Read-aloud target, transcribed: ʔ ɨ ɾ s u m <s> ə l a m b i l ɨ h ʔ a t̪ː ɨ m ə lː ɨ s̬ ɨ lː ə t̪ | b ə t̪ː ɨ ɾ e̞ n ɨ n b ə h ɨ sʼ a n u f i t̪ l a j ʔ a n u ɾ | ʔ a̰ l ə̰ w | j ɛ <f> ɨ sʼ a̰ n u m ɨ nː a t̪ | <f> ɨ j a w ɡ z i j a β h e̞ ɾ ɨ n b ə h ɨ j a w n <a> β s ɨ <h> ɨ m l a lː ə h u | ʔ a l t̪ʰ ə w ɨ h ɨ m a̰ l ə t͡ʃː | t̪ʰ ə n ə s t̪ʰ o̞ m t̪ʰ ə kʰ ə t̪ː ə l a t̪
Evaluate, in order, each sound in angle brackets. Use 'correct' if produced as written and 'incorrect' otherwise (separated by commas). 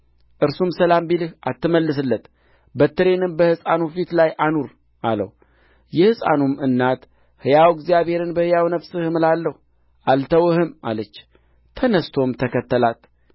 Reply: correct, incorrect, incorrect, incorrect, correct